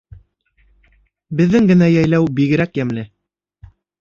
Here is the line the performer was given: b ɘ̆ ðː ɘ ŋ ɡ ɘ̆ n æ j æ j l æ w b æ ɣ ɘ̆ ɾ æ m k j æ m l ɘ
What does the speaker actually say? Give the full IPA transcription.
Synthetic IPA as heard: b ɘ̆ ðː ɘ ŋ ɡ ɘ̆ n æ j æ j l æ w b i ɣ ɘ̆ ɾ æ k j æ m l ɘ